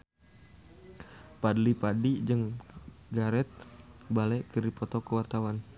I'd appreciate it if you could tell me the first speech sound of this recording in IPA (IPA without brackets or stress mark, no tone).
p